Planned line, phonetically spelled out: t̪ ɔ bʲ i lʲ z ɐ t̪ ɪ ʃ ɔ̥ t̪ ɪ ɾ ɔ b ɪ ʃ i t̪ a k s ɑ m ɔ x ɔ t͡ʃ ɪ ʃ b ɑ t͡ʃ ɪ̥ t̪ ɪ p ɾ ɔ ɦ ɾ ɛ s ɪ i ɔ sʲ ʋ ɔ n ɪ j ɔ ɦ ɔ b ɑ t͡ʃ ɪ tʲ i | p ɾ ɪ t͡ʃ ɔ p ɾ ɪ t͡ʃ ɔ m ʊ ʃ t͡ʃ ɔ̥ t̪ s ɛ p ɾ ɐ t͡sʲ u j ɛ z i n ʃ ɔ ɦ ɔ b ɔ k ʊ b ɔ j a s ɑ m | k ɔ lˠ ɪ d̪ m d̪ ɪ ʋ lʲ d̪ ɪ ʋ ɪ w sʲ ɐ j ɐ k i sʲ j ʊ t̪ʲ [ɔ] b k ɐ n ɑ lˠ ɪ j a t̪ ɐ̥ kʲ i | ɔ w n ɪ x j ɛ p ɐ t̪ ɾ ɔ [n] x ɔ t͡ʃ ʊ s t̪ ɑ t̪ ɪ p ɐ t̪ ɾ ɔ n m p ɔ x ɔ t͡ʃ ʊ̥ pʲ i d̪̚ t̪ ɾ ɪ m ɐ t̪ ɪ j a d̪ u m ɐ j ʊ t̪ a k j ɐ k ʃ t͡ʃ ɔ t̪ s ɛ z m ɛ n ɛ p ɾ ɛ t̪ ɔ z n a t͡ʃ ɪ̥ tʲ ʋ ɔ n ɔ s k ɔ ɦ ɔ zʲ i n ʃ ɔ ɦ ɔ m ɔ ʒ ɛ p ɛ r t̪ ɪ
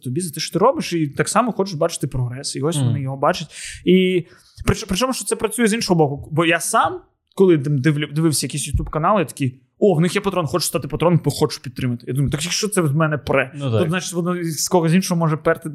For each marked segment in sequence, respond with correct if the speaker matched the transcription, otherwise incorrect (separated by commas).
incorrect, correct